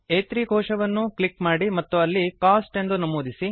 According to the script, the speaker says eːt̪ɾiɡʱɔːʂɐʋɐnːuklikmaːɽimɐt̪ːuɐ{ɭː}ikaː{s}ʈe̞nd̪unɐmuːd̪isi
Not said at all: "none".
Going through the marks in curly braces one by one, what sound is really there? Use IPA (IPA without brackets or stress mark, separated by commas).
lː, s